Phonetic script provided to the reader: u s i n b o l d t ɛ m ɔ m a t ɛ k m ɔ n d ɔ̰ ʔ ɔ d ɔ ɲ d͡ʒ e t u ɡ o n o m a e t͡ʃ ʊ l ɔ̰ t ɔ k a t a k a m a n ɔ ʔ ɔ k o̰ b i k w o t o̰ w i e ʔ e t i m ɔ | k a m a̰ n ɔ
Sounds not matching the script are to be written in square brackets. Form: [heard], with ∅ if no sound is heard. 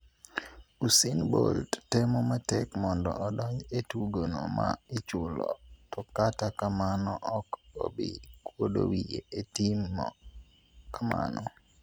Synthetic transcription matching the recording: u s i n b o l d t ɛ m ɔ m a t ɛ k m ɔ n d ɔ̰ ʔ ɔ d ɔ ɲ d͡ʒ e t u ɡ o n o m a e t͡ʃ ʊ l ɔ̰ t ɔ k a t a k a m a n ɔ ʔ ɔ k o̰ b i k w o [d] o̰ w i e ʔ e t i m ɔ | k a m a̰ n ɔ